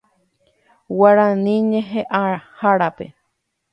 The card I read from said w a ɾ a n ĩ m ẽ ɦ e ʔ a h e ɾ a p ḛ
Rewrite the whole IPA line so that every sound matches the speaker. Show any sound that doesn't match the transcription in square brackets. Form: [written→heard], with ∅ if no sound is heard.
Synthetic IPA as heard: w a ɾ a n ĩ [m→ɲ] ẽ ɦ e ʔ a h [e→a] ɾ a p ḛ